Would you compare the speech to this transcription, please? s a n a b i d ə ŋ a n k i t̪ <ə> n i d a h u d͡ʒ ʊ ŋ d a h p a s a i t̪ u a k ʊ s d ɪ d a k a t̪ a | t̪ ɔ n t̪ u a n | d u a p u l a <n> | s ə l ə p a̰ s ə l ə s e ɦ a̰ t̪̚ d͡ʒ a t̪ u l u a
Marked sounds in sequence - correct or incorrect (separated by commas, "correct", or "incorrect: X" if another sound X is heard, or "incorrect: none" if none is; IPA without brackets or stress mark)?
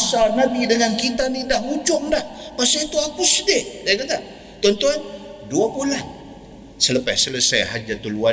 incorrect: a, correct